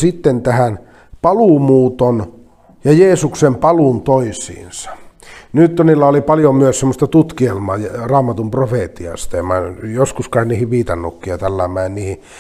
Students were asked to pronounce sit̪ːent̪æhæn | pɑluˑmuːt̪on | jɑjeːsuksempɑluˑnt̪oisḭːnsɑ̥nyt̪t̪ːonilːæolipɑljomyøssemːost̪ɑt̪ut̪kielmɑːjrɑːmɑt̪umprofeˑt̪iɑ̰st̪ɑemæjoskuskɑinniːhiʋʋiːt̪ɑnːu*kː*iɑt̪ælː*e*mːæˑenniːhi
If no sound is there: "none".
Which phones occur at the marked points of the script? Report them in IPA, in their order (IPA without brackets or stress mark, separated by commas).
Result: kː, æ